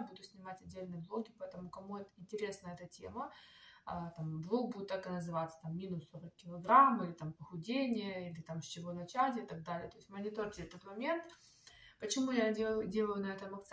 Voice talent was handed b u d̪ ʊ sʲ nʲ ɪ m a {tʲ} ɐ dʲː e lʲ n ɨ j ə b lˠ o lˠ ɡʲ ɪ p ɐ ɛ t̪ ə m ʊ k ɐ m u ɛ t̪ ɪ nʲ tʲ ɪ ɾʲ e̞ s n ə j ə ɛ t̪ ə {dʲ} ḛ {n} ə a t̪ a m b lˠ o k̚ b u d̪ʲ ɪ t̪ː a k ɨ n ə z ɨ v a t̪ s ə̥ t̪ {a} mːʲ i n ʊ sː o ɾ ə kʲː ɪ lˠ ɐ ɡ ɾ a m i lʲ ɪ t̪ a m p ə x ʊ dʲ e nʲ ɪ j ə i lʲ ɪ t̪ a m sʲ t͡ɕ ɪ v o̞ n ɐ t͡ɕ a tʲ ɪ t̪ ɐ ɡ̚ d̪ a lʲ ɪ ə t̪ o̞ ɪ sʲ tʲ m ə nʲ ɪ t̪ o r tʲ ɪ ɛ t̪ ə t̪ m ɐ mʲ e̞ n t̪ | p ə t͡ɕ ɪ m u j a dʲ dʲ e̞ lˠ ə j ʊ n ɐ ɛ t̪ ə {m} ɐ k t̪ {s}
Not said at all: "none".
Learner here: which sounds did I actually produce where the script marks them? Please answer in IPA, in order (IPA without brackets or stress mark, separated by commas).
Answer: tʲ, tʲ, m, a, m, s